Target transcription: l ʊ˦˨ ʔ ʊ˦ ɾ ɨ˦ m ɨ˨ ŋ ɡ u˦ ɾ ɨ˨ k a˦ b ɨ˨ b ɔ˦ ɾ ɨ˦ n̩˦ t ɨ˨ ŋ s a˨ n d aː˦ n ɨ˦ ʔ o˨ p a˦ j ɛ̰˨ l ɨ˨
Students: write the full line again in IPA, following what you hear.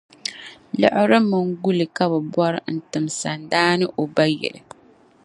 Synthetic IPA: l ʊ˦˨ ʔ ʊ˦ ɾ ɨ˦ m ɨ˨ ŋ ɡ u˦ l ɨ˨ k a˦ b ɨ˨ b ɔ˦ ɾ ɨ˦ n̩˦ t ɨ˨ m s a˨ n d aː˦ n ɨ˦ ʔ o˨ b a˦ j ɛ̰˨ l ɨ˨